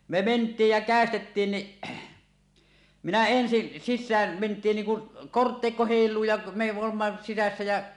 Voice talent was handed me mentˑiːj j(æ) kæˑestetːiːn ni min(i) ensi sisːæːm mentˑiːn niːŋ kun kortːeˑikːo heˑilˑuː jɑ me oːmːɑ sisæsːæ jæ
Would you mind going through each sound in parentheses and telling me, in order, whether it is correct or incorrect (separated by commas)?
correct, incorrect